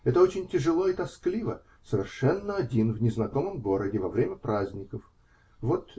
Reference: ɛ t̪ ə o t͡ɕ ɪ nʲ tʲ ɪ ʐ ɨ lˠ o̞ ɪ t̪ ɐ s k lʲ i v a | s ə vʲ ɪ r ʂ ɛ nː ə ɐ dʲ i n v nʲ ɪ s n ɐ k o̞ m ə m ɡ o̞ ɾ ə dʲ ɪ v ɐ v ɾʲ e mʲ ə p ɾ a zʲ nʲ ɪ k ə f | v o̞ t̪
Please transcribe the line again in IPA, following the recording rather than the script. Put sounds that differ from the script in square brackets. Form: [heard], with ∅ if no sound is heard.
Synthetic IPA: ɛ t̪ ə o t͡ɕ ɪ nʲ tʲ ɪ ʐ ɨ lˠ o̞ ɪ t̪ ɐ s k lʲ i v [ə] | s ə vʲ ɪ r ʂ ɛ nː ə ɐ dʲ i n v nʲ ɪ [z] n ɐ k o̞ m ə m ɡ o̞ ɾ ə dʲ ɪ v ɐ v ɾʲ e mʲ ə p ɾ a zʲ nʲ ɪ k ə f | v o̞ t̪